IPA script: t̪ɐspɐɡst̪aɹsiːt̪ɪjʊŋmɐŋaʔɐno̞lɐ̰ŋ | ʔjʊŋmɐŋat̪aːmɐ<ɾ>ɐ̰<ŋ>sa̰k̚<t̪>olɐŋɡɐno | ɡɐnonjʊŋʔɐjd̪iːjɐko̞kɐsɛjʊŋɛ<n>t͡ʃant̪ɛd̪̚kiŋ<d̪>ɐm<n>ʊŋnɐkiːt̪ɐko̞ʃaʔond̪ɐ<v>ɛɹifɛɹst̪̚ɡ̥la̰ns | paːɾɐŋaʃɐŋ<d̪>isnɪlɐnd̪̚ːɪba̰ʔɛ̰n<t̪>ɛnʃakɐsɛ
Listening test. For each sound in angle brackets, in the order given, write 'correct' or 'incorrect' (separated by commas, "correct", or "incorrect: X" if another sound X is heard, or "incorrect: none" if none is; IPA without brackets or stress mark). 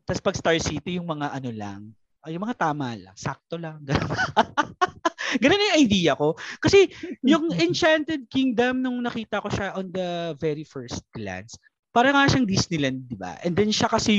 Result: incorrect: l, correct, correct, correct, correct, correct, correct, correct, incorrect: d̪